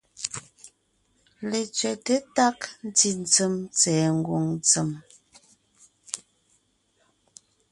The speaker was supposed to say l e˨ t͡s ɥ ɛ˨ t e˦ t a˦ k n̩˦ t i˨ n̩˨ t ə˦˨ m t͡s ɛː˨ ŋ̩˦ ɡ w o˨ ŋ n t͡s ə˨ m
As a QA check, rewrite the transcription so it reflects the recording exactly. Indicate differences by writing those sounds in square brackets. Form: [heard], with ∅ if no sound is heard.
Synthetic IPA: l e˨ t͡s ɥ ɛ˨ t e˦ t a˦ k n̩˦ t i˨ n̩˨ [t͡s] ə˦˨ m t͡s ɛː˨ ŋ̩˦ ɡ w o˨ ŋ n t͡s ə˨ m